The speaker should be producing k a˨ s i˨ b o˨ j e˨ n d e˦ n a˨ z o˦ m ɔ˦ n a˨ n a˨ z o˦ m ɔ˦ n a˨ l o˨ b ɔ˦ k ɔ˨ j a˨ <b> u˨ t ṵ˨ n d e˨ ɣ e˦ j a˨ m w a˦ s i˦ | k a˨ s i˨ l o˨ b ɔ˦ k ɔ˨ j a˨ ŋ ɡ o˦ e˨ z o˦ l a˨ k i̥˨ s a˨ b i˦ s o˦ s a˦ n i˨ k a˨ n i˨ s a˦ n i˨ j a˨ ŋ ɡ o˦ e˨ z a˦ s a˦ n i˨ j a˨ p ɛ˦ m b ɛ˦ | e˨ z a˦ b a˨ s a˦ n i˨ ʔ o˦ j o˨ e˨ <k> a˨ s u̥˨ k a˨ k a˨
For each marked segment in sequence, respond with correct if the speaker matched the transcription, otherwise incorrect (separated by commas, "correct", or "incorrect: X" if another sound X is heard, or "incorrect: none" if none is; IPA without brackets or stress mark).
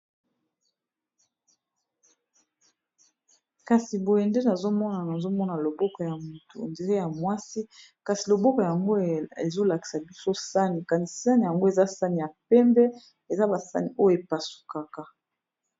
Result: incorrect: m, incorrect: p